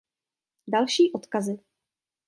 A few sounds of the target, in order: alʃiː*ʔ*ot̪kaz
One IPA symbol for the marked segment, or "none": ʔ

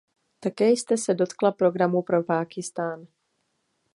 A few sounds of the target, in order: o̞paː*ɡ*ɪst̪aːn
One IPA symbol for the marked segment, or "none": k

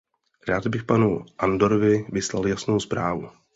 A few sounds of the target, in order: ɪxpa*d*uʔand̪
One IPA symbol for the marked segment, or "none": n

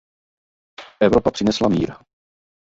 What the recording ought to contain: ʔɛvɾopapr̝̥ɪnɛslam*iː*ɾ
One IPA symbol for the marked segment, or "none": iː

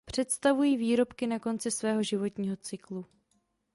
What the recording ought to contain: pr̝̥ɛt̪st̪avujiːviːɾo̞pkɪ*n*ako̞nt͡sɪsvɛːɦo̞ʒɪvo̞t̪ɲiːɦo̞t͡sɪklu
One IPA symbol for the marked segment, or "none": n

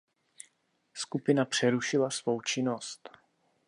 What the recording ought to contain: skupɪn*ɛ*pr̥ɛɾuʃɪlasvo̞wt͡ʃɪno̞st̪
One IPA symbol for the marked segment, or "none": a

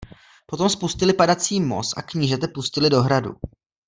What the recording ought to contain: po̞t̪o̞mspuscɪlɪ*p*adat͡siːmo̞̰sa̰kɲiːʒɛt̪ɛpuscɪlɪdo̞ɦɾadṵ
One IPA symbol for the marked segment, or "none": p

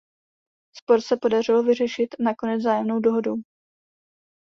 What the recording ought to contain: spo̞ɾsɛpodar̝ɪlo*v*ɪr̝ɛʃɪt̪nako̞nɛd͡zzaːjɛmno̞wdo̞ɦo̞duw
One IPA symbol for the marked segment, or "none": v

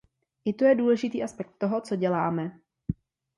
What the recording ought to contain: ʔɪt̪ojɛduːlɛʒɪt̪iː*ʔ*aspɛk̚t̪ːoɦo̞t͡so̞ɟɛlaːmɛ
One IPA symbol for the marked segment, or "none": ʔ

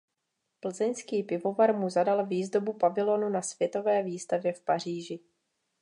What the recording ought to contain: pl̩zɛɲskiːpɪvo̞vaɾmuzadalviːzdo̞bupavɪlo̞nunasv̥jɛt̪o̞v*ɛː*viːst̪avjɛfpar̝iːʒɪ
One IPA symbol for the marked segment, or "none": ɛː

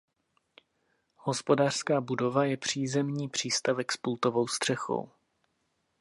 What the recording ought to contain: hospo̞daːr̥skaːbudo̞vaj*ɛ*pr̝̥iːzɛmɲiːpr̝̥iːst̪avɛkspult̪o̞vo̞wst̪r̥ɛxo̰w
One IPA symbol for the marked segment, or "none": ɛ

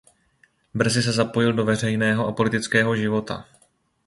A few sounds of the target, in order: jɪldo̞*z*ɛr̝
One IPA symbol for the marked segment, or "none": v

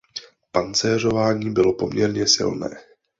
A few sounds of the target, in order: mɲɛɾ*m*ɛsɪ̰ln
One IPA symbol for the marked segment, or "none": ɲ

